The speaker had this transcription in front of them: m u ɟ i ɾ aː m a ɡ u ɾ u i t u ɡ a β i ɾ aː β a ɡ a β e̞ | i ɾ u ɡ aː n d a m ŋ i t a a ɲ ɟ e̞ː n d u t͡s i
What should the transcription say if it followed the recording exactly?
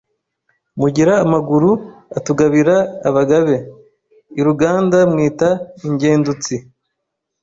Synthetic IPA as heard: m u ɟ i ɾ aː m a ɡ u ɾ u a t u ɡ a β i ɾ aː β a ɡ a β e̞ | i ɾ u ɡ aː n d a m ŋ iː t a i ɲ ɟ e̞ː n d u t͡s i

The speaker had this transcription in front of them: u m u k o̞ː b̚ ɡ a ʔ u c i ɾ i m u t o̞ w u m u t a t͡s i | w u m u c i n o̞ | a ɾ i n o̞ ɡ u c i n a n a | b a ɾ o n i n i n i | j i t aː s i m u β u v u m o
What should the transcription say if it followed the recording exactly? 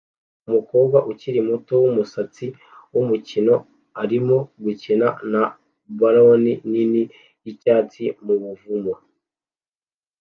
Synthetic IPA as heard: u m u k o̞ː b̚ ɡ a ʔ u c i ɾ i m u t o̞ w u m u s a t͡s i | w u m u c i n o̞ | a ɾ i m o̞ ɡ u c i n a n a | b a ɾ o n i n i n i | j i c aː t͡s i m u β u v u m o

